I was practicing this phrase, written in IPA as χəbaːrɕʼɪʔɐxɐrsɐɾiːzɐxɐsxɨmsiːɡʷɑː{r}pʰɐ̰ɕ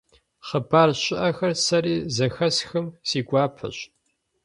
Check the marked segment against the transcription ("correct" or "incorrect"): incorrect